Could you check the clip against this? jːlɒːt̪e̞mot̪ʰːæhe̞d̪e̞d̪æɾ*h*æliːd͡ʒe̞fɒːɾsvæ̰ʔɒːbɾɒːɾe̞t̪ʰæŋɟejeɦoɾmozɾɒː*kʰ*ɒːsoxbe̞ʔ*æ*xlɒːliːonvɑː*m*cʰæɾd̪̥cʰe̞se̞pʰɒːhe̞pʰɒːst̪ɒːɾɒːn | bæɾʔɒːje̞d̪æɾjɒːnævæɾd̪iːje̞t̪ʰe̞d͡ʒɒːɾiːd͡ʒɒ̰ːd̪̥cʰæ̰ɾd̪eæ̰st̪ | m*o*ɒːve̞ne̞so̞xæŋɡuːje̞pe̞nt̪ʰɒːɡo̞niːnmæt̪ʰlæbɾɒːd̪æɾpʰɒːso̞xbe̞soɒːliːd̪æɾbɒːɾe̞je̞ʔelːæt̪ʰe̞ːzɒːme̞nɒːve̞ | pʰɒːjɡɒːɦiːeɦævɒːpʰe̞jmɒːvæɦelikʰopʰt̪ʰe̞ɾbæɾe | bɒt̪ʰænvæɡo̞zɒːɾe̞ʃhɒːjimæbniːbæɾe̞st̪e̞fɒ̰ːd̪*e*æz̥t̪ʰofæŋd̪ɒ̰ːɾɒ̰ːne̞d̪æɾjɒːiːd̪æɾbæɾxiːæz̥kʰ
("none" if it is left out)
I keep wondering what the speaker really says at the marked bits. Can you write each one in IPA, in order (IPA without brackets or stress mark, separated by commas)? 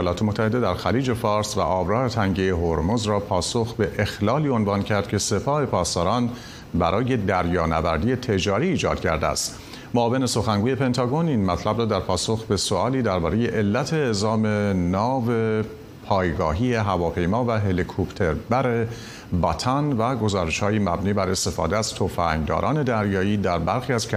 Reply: x, pʰ, e, n, o, e